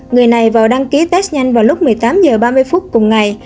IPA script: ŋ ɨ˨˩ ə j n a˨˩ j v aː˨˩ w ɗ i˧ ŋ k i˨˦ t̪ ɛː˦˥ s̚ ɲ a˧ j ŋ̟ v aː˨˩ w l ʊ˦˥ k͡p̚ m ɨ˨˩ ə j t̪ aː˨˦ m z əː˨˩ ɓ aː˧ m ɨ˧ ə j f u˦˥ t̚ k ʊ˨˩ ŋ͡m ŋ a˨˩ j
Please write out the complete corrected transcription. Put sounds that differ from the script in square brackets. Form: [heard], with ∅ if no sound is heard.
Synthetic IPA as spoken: ŋ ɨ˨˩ ə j n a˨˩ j v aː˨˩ w ɗ [a˧] ŋ k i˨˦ t̪ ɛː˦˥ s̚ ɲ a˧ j ŋ̟ v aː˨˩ w l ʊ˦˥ k͡p̚ m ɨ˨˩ ə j t̪ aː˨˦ m z əː˨˩ ɓ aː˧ m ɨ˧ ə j f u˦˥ t̚ k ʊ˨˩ ŋ͡m ŋ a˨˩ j